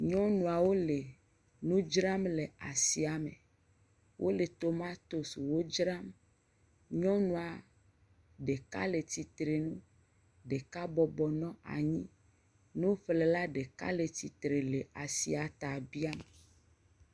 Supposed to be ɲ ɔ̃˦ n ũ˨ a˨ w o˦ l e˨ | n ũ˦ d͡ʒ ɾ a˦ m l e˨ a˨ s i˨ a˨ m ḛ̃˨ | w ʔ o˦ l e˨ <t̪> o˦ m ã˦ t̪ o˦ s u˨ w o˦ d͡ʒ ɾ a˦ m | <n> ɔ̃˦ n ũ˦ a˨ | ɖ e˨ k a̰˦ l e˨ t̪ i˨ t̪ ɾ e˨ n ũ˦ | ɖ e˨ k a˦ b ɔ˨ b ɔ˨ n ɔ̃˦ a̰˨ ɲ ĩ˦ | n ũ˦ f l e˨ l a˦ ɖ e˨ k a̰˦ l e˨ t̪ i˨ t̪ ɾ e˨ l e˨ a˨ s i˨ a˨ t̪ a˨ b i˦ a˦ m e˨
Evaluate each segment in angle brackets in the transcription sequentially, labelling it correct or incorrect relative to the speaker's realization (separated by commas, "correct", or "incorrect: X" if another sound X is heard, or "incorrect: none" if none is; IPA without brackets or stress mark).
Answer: correct, incorrect: ɲ